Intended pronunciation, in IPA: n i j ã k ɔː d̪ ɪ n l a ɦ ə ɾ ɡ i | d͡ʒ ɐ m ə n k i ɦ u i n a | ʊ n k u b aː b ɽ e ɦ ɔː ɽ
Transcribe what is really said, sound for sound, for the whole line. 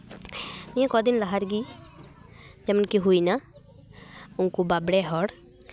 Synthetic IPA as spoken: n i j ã k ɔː d̪ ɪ n l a ɦ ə ɾ ɡ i | d͡ʒ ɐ m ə n k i ɦ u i n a | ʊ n k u b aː b ɽ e ɦ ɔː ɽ

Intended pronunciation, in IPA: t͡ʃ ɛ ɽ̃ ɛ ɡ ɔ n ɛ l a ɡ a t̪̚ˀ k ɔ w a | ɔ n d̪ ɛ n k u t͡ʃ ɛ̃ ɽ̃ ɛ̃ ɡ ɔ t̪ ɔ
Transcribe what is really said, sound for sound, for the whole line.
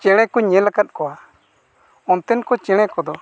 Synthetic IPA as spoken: t͡ʃ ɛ ɽ̃ ɛ k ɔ ɲ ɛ l a k a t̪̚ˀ k ɔ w a | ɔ n t̪ ɛ n k ɔ t͡ʃ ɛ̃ ɽ̃ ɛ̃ k ɔ d̪ ɔ

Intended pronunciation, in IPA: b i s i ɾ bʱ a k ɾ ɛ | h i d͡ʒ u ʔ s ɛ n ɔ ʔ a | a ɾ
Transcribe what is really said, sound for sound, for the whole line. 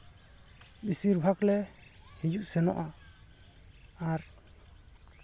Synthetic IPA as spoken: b i s i ɾ bʱ a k l ɛ | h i d͡ʒ u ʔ s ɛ n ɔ ʔ a | a ɾ

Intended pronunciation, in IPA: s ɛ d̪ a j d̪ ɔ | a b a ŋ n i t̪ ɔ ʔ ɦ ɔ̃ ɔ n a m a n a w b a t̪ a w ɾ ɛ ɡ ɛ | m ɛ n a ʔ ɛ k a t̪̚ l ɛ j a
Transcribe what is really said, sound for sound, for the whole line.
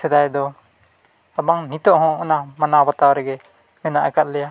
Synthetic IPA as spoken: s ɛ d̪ a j d̪ ɔ | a b a ŋ n i t̪ ɔ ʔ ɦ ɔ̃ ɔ n a m a n a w b a t̪ a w ɾ ɛ ɡ ɛ | m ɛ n a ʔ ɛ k a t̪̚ l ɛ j a

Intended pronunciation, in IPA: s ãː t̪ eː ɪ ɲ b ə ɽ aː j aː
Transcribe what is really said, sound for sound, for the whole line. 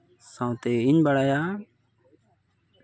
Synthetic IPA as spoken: s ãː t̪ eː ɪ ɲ b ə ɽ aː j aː

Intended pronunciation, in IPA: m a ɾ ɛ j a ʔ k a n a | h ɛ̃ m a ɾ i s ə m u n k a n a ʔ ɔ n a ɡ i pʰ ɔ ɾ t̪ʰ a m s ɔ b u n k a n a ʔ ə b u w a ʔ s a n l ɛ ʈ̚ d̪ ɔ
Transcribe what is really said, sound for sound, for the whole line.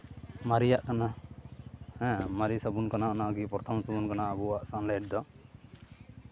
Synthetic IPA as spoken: m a ɾ i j a ʔ k a n a | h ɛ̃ m a ɾ i s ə b u n k a n a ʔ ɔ n a ɡ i p ɔ ɾ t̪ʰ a m s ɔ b u n k a n a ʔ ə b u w a ʔ s a n l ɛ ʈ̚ d̪ ɔ

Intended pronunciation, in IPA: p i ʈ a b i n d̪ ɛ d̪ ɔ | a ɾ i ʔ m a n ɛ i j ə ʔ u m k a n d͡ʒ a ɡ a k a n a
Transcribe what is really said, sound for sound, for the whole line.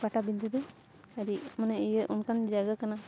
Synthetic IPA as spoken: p a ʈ a b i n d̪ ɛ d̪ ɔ | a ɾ i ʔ m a n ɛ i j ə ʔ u n k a n d͡ʒ a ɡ a k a n a

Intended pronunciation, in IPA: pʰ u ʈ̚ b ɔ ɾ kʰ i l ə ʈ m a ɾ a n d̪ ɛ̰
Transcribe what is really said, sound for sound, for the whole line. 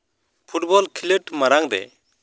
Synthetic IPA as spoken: pʰ u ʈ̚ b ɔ l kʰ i l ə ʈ m a ɾ a ŋ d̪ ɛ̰

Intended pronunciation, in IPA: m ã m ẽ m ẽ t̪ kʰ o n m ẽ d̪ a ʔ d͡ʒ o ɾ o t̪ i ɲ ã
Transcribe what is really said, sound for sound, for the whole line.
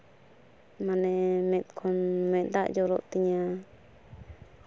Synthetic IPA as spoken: m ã n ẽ m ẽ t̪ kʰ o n m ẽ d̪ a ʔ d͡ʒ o ɾ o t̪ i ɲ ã

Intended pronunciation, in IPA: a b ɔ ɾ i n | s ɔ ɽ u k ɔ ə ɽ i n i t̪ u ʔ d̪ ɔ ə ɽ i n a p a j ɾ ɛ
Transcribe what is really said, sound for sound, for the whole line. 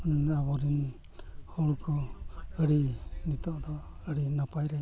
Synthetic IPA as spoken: a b ɔ ɾ i n | h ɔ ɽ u k ɔ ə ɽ i n i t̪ ɔ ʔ d̪ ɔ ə ɽ i n a p a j ɾ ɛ

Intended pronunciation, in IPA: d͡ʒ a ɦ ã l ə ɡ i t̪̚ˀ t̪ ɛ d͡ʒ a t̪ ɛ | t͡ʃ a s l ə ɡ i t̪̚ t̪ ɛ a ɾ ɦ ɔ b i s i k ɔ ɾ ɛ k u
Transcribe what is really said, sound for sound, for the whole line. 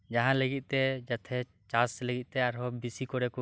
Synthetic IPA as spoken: d͡ʒ a ɦ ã l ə ɡ i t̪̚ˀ t̪ ɛ d͡ʒ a t̪ʰ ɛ | t͡ʃ a s l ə ɡ i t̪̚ t̪ ɛ a ɾ ɦ ɔ b i s i k ɔ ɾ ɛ k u

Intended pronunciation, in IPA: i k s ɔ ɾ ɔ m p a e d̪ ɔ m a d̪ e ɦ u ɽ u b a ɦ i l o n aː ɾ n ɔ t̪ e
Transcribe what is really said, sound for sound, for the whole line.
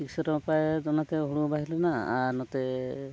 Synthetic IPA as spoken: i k s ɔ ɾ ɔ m p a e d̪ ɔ n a t̪ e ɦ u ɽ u b a ɦ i l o n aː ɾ n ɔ t̪ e

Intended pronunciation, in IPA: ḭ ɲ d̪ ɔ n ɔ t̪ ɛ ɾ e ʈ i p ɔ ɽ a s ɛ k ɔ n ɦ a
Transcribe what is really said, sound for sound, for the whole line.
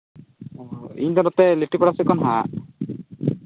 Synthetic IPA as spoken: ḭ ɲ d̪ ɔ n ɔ t̪ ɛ l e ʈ i p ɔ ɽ a s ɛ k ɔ n ɦ a

